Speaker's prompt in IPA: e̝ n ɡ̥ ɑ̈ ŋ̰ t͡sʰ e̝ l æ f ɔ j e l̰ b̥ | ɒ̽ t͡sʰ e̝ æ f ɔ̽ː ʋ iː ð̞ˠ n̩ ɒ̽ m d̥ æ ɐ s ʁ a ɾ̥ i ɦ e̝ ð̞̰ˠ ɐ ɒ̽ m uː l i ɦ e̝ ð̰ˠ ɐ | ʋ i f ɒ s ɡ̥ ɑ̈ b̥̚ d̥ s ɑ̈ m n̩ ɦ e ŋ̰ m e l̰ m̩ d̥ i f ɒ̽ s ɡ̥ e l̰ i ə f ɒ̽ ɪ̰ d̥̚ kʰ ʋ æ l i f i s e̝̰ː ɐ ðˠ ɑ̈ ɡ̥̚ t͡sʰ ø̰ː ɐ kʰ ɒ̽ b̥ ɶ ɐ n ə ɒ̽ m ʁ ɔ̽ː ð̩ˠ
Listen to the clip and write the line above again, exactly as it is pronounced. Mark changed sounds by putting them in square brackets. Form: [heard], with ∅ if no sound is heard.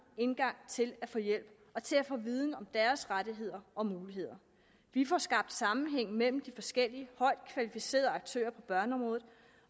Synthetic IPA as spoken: e̝ n ɡ̥ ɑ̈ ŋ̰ t͡sʰ e̝ l æ f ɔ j e l̰ b̥ | ɒ̽ t͡sʰ e̝ æ f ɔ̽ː ʋ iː ð̞ˠ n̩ ɒ̽ m d̥ æ ɐ s ʁ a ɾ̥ i ɦ e̝ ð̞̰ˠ ɐ ɒ̽ m uː l i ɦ e̝ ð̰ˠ ɐ | ʋ i f ɒ s ɡ̥ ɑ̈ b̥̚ d̥ s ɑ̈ m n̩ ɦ e ŋ̰ m e l̰ m̩ d̥ i f ɒ̽ s ɡ̥ e l̰ i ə [h] ɒ̽ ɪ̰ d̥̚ kʰ ʋ æ l i f i s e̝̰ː ɐ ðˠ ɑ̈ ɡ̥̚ t͡sʰ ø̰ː ɐ [pʰ] ɒ̽ b̥ ɶ ɐ n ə ɒ̽ m ʁ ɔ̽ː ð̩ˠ